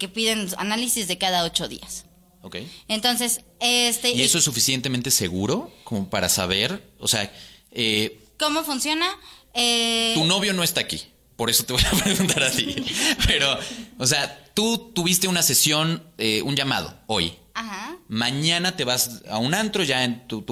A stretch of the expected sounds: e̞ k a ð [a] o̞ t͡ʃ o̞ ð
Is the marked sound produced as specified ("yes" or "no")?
yes